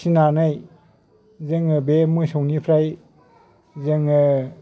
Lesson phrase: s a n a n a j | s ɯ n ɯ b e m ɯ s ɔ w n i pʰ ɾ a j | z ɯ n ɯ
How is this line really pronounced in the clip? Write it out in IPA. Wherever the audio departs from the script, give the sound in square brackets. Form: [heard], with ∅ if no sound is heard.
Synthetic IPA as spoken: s [i] n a n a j | [z] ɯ [ŋ] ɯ b e m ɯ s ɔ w n i pʰ ɾ a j | z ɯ [ŋ] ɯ